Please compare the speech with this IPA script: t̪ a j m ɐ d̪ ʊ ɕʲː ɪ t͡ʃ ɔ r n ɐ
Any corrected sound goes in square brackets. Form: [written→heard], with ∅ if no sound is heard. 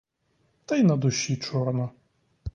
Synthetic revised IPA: t̪ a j [m→n] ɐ d̪ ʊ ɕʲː [ɪ→i] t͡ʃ ɔ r n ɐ